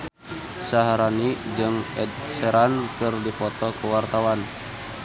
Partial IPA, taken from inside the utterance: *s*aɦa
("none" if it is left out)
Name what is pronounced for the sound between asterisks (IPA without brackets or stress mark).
s